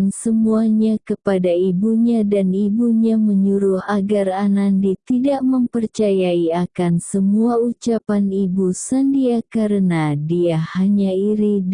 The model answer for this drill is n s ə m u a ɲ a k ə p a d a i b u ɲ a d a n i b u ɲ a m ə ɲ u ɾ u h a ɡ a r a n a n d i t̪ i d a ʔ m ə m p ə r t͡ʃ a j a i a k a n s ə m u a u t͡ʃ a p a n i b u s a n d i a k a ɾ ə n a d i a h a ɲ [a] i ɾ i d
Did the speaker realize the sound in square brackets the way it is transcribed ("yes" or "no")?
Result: yes